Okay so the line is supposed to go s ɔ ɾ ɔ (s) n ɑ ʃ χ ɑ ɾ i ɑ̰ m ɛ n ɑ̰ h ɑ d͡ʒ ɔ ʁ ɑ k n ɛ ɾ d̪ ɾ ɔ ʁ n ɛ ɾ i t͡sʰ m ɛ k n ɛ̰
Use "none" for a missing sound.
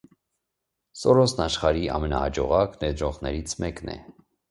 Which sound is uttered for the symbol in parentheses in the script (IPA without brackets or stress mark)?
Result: s